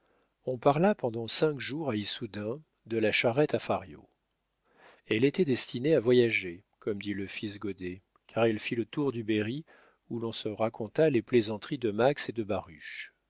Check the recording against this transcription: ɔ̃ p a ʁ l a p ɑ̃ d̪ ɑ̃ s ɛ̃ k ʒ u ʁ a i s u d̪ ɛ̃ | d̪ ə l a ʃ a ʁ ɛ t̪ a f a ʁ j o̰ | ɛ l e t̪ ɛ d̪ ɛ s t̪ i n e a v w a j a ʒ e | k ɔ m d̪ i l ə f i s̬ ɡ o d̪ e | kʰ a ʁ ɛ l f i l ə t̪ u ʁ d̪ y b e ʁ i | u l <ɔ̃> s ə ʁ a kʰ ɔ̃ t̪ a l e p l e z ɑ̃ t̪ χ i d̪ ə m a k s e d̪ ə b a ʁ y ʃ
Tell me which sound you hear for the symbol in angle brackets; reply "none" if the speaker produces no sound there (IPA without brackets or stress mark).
ɔ̃